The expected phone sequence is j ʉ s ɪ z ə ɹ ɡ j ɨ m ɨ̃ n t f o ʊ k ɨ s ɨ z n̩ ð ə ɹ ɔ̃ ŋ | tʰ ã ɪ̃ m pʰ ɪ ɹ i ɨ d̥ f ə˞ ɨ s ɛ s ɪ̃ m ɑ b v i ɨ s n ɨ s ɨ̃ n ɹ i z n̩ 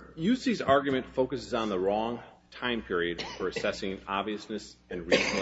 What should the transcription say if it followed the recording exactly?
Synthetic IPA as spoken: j ʉ s i z ɑ ɹ ɡ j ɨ m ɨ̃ n t f o ʊ k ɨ s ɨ z n̩ ð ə ɹ ɔ̃ ŋ | tʰ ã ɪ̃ m pʰ ɪ ɹ i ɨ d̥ f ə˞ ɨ s ɛ s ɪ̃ ŋ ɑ b v i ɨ s n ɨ s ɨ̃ n ɹ i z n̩